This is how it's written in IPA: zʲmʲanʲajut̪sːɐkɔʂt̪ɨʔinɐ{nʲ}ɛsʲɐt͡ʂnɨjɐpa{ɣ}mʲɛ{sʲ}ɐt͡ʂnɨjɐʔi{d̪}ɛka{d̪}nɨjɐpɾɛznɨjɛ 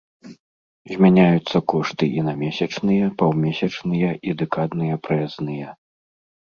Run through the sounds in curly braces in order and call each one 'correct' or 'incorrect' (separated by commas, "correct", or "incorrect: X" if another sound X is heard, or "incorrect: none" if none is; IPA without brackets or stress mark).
incorrect: mʲ, incorrect: w, correct, correct, correct